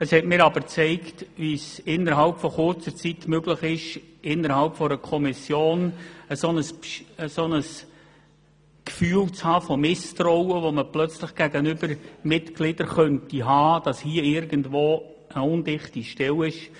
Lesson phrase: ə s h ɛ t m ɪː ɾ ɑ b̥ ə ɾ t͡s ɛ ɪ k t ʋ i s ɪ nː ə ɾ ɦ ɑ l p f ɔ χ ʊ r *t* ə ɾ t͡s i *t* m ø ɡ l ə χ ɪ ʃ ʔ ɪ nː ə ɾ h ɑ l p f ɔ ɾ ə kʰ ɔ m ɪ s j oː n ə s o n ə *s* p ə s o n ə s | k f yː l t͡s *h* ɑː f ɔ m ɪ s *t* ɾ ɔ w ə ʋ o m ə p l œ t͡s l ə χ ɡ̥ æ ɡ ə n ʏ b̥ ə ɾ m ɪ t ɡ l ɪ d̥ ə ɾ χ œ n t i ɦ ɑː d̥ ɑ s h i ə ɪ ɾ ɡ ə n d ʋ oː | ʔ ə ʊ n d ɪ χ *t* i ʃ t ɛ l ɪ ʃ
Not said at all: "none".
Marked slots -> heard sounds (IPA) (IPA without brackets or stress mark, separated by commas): t͡s, t, s, h, t, t